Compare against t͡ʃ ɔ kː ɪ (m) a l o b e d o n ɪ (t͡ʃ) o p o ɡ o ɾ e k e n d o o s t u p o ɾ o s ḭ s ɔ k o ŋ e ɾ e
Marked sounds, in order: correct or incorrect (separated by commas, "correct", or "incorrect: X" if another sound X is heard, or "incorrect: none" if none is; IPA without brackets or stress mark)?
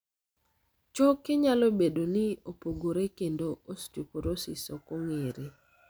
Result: incorrect: ɲ, incorrect: none